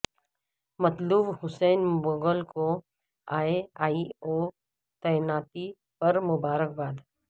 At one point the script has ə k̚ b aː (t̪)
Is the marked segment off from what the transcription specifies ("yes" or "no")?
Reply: yes